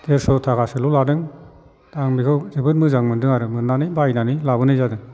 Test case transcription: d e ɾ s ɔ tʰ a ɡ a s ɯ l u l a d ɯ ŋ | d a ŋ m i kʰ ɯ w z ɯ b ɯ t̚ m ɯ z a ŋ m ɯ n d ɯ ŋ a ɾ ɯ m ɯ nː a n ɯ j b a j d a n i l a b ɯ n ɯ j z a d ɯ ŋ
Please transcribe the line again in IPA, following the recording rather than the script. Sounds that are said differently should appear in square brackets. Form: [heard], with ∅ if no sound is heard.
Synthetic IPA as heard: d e ɾ s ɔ tʰ a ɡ a s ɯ l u l a d ɯ ŋ | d a ŋ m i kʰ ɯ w z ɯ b ɯ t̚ m ɯ z a ŋ m ɯ n d ɯ ŋ a ɾ ɯ m ɯ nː a n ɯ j b a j [n] a n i l a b ɯ n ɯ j z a d ɯ ŋ